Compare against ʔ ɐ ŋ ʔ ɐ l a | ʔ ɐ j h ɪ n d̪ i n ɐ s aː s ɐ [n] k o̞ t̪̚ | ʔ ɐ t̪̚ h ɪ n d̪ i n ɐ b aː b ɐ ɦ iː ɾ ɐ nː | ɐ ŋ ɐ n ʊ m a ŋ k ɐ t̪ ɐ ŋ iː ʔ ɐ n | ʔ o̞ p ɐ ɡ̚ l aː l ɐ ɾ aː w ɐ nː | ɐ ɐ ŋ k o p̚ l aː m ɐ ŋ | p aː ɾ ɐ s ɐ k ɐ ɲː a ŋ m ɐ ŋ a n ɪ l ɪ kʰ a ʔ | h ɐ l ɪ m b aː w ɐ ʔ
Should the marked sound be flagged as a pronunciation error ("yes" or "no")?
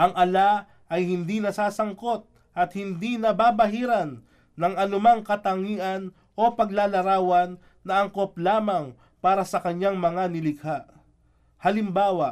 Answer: yes